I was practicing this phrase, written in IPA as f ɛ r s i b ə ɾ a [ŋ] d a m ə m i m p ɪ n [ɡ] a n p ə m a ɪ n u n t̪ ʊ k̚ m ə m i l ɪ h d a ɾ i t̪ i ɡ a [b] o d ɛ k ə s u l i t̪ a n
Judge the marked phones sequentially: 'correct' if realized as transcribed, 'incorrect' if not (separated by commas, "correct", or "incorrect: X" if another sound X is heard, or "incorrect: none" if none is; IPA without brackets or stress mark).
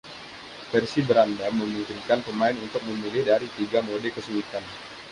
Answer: incorrect: n, incorrect: k, incorrect: m